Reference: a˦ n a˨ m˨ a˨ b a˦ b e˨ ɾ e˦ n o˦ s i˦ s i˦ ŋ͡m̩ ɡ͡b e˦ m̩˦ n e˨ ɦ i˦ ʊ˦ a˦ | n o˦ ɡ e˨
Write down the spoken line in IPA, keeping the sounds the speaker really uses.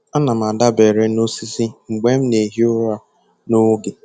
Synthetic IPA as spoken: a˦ n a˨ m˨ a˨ d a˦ b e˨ ɾ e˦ n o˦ s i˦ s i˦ ŋ͡m̩ ɡ͡b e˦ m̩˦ n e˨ ɦ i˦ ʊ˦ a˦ | n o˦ ɡ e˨